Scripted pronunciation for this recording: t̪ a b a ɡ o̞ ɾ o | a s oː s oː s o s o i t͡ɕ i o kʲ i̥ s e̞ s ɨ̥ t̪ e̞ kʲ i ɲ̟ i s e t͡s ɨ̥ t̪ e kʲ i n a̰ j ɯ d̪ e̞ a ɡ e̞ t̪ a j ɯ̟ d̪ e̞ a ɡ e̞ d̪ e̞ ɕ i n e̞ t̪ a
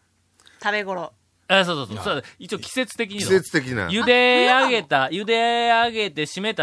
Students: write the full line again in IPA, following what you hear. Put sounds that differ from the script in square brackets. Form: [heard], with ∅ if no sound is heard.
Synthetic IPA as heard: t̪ a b [e] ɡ o̞ ɾ o | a s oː s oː s o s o i t͡ɕ i o kʲ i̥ s e̞ [t͡s] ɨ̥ t̪ e̞ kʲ i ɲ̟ i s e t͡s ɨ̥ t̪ e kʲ i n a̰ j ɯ d̪ e̞ a ɡ e̞ t̪ a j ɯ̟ d̪ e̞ a ɡ e̞ [t̪] e̞ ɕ i [m] e̞ t̪ a